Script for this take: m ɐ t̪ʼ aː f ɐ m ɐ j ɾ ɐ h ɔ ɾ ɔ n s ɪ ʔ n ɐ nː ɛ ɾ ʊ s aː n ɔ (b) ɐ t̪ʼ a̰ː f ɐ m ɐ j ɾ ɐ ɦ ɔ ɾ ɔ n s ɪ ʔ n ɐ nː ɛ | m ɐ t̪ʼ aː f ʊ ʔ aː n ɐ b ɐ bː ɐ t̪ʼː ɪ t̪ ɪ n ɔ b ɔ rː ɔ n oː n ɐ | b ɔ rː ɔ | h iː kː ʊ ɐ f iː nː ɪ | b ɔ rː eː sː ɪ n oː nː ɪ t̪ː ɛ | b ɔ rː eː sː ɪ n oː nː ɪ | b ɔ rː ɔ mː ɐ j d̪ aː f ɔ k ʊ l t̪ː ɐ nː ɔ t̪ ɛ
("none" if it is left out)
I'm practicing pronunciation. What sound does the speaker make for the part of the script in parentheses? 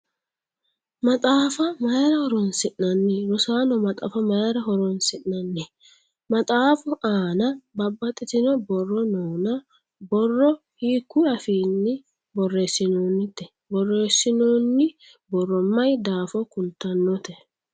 m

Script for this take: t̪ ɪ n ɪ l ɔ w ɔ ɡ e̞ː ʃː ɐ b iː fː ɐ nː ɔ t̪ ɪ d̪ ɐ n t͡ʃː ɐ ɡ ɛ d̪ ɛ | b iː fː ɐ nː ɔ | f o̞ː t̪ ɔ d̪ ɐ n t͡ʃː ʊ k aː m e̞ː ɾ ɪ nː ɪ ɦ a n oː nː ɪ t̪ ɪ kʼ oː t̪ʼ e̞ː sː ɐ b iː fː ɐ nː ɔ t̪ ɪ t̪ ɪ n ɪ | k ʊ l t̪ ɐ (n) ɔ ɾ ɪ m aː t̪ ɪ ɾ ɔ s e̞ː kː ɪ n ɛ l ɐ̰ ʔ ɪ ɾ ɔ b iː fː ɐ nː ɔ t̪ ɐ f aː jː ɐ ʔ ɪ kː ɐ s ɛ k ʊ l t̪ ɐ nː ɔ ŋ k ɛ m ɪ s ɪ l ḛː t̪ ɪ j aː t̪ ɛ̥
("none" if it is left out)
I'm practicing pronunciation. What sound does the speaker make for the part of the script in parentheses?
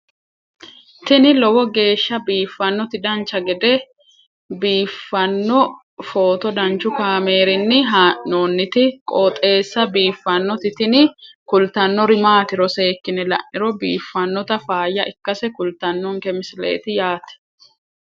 nː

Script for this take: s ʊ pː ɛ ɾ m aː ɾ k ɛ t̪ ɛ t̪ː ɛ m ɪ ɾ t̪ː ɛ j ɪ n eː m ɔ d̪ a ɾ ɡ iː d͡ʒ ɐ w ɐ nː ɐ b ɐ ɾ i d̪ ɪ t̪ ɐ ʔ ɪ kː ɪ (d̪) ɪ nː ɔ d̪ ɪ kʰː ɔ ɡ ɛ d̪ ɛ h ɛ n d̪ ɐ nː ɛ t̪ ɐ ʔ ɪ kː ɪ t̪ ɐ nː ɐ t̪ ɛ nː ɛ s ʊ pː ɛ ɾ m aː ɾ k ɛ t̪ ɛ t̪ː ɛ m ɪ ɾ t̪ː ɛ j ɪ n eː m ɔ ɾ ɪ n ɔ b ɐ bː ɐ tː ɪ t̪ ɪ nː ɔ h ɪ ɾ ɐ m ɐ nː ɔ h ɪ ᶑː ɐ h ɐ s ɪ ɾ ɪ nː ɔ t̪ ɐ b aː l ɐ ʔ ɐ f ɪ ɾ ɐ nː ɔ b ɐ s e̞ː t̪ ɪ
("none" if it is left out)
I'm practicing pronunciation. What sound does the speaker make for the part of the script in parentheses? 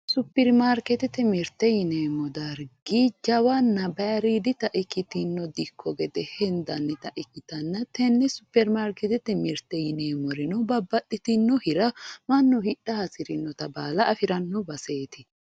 t̪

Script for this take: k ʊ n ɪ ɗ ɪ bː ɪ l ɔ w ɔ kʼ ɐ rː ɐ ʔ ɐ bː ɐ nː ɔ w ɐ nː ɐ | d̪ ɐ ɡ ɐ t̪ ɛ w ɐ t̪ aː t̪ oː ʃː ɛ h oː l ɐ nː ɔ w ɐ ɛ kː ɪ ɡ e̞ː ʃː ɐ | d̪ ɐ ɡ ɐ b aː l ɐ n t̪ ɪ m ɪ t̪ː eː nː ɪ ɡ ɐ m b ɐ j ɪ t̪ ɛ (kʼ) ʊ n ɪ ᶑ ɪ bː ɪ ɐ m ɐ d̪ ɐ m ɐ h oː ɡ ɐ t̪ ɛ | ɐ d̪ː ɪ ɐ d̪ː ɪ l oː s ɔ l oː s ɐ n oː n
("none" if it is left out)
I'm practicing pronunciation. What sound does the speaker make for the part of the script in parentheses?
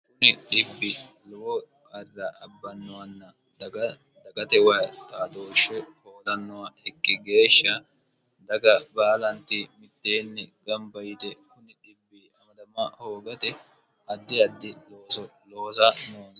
k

